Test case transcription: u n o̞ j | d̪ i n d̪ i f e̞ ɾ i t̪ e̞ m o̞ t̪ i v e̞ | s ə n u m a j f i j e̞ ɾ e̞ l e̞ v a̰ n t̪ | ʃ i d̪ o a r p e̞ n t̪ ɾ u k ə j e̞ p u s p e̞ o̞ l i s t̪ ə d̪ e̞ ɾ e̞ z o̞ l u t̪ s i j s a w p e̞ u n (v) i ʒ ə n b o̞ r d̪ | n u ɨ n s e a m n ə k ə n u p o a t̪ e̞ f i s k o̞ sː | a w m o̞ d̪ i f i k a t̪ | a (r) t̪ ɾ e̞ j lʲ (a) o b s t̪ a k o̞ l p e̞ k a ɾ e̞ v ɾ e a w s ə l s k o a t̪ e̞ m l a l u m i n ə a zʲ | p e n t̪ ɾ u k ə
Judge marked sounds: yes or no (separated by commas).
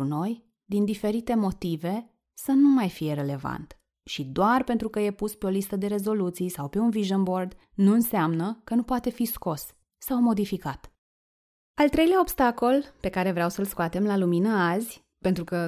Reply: yes, no, yes